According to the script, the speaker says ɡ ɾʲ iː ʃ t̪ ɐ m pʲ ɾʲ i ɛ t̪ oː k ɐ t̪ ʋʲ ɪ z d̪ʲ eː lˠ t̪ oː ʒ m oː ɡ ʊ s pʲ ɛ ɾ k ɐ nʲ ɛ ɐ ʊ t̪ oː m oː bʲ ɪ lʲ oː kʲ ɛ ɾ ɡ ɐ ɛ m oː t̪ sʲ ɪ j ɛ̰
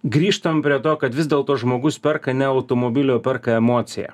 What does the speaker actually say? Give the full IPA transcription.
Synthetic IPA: ɡ ɾʲ iː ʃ t̪ ɐ m pʲ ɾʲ i ɛ t̪ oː k ɐ t̪ ʋʲ ɪ z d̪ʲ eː lˠ t̪ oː ʒ m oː ɡ ʊ s pʲ ɛ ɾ k ɐ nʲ ɛ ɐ ʊ t̪ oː m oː bʲ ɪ lʲ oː pʲ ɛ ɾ k ɐ ɛ m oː t̪ sʲ ɪ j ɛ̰